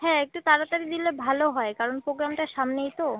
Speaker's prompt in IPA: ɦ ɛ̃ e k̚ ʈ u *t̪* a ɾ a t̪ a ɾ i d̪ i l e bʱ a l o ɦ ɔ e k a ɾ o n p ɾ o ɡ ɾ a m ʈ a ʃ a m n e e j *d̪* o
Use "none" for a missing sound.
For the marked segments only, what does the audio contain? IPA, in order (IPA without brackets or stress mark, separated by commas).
t̪, t̪